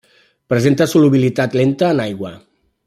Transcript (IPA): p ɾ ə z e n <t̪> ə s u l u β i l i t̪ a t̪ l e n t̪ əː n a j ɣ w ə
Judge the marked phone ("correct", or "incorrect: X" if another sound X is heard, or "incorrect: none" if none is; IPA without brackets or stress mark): correct